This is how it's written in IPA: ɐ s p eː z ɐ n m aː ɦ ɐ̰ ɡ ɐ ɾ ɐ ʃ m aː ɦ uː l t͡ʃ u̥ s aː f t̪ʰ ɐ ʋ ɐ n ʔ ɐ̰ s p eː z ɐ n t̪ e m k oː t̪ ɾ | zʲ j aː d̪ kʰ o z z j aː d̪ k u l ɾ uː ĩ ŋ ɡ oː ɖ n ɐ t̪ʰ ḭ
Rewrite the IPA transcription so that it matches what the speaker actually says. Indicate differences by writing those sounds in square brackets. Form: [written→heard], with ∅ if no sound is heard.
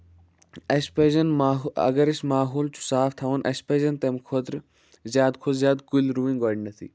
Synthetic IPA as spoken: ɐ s p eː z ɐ n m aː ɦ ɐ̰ ɡ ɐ ɾ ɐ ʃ m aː ɦ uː l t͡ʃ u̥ s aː f t̪ʰ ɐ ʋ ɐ n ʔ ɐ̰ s p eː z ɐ n t̪ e m [k→kʰ] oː t̪ ɾ | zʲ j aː d̪ kʰ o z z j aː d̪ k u l ɾ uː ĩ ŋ ɡ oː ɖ n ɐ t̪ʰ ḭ